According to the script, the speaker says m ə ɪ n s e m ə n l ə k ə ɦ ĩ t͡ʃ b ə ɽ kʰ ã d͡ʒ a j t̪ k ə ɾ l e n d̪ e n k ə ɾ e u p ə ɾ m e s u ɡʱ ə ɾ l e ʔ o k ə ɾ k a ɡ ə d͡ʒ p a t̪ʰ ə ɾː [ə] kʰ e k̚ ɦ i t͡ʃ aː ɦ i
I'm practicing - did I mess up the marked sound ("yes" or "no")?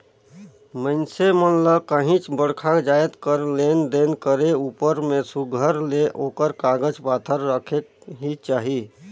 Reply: no